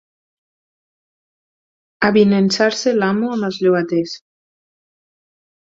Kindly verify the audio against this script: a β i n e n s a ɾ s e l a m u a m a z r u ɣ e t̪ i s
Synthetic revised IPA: a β i n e n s a ɾ s e l a m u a m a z ʎ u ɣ a t̪ e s